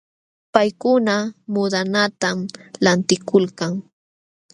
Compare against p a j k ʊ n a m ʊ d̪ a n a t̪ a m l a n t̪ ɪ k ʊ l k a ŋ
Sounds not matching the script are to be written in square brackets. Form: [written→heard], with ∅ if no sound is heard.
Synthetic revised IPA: p a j k ʊ n a m ʊ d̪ a n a t̪ a m l a n t̪ ɪ k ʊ l k a ŋ